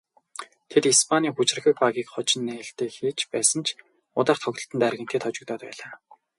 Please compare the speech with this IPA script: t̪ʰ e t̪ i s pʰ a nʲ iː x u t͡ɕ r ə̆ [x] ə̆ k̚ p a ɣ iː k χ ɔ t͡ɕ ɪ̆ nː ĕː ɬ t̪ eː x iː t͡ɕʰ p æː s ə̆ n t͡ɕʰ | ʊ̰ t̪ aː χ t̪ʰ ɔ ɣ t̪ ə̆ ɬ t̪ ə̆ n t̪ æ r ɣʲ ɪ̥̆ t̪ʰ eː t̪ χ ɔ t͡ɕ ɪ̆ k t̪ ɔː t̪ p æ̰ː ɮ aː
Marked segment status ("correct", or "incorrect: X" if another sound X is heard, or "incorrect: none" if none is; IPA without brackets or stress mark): correct